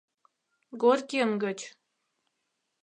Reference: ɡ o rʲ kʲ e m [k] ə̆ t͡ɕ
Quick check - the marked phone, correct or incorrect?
incorrect